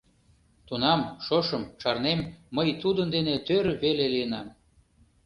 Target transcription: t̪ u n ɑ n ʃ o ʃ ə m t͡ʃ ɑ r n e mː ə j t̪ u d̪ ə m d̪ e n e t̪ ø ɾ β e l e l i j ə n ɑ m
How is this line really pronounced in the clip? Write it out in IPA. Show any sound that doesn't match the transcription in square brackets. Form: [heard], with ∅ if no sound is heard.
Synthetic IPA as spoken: t̪ u n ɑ [m] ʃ o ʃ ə m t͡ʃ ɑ r n e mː ə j t̪ u d̪ ə [n] d̪ e n e t̪ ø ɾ β e l e l i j ə n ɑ m